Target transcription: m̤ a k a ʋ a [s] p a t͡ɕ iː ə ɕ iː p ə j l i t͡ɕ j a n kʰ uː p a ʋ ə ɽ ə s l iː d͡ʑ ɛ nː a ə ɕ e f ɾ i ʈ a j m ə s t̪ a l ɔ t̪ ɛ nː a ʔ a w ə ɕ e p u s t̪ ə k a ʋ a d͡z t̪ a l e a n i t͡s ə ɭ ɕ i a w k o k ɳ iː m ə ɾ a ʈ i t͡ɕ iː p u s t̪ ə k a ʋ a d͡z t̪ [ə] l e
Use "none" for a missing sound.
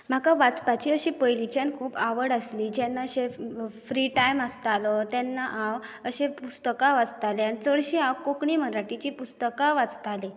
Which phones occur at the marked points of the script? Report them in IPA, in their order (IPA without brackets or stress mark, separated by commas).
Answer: t͡s, a